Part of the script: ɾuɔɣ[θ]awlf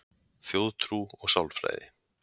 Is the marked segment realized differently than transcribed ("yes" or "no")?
yes